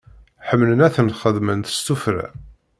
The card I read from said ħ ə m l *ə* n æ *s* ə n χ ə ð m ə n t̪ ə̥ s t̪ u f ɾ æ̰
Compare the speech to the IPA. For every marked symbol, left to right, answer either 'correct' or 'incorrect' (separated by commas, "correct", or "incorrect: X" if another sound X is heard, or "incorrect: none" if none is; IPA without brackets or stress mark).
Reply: correct, incorrect: θ